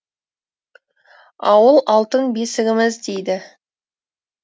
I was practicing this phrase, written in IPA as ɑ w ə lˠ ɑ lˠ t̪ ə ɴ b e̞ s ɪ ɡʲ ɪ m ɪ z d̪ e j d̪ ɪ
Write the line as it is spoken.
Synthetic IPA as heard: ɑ w ə lˠ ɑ lˠ t̪ ə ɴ b e̞ s ɪ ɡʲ ɪ m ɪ z d̪ e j d̪ ɪ